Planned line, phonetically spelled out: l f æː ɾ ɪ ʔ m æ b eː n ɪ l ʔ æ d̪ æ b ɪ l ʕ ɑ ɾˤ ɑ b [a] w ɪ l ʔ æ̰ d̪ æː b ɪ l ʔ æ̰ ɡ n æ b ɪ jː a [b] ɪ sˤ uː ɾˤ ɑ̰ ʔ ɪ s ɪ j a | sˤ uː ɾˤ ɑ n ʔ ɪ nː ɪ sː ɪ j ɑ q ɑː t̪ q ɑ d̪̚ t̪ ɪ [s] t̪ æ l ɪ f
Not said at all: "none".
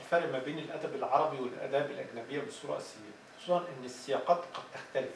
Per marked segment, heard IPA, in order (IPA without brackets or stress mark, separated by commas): i, b, x